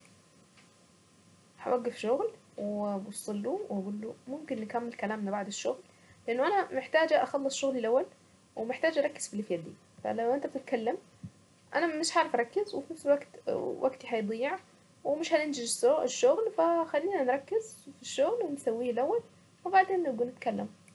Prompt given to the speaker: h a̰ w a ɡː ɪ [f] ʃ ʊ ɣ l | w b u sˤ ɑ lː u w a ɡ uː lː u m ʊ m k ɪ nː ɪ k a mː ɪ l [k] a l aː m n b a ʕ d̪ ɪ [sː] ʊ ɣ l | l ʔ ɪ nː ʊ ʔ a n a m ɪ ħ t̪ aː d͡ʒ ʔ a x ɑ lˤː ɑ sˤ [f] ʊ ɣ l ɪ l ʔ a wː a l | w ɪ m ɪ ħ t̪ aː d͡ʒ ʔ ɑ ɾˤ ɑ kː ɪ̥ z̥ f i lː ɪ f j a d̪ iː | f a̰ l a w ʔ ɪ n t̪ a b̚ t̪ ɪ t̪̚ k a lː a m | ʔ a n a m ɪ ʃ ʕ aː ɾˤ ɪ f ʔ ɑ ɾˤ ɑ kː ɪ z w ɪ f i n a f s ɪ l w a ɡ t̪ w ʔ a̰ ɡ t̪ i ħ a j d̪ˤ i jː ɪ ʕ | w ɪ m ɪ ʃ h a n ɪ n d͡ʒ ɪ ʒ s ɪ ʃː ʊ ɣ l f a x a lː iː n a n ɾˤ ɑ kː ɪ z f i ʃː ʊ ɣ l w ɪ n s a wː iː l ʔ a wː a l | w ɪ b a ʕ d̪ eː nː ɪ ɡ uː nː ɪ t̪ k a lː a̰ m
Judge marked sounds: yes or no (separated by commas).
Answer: yes, yes, no, no